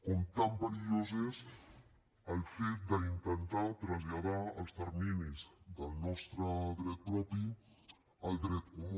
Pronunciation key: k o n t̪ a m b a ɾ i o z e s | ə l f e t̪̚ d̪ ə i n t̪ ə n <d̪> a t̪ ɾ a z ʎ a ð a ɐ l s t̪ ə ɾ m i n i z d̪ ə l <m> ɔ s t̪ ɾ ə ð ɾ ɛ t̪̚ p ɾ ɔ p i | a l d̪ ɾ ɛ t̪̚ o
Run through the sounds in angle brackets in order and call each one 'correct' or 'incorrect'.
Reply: incorrect: t̪, incorrect: n

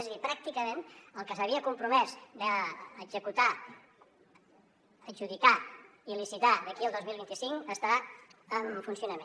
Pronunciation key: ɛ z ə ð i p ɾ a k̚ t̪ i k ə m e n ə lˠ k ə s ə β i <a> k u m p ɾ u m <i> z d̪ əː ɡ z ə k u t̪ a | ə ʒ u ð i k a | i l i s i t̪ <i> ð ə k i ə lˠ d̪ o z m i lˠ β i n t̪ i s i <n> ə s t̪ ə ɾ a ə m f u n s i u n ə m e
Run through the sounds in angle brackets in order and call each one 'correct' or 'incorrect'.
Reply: incorrect: ə, incorrect: ɛ, incorrect: a, incorrect: ŋ

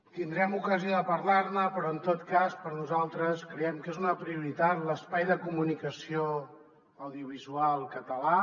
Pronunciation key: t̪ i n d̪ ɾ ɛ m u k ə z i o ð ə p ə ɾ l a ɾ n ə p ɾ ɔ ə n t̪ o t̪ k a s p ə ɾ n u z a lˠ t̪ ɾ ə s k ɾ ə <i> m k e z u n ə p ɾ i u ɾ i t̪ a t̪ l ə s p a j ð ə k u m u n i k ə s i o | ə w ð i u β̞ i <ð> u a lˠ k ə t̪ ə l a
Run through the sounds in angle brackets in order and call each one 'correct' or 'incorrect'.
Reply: incorrect: ɛ, incorrect: z

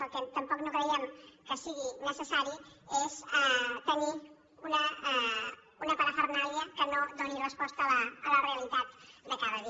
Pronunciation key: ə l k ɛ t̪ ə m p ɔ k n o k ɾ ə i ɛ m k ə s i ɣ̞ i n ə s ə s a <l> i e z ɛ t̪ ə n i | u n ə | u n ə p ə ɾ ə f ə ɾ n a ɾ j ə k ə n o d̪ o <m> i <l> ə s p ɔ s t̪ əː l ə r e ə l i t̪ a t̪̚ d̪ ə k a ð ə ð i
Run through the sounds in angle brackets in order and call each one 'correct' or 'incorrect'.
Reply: incorrect: ɾ, incorrect: n, incorrect: r

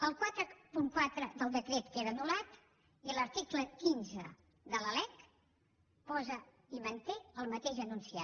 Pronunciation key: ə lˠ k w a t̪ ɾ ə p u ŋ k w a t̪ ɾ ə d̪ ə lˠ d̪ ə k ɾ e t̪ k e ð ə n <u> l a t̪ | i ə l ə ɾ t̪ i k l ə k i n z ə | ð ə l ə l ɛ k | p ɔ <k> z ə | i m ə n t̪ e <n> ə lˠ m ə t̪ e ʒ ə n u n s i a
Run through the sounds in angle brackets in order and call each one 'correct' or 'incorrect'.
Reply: correct, incorrect: none, incorrect: none

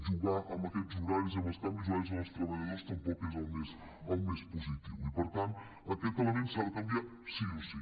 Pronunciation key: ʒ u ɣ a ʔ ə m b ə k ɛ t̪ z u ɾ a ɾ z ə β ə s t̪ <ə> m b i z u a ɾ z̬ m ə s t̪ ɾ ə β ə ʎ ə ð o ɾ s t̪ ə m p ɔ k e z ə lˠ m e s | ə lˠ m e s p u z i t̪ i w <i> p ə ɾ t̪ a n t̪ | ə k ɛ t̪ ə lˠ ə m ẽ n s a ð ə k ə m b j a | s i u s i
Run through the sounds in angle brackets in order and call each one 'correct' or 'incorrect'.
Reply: incorrect: a, correct

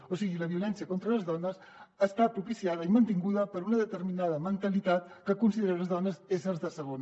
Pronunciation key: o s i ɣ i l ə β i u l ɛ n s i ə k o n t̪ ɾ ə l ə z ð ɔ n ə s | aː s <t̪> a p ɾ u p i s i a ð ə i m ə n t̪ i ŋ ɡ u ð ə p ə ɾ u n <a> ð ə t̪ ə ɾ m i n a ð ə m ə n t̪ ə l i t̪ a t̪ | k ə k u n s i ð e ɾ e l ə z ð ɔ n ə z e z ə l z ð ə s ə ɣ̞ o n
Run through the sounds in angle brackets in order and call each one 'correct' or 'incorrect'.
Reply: correct, incorrect: ə

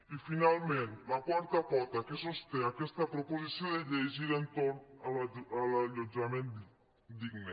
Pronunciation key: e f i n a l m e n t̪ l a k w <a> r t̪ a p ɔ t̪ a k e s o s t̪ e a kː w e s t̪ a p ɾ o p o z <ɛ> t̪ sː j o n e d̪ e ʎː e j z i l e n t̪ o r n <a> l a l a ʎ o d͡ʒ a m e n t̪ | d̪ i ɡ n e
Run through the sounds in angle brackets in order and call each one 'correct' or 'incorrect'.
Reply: correct, incorrect: i, correct

